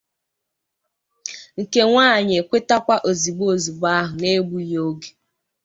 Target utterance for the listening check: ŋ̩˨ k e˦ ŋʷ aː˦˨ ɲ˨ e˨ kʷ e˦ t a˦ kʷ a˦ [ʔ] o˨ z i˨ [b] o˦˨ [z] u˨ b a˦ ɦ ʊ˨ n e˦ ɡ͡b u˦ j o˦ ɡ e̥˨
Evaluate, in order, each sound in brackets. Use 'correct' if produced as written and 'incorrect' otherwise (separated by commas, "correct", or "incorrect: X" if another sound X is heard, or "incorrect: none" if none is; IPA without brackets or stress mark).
correct, incorrect: ɡ͡b, correct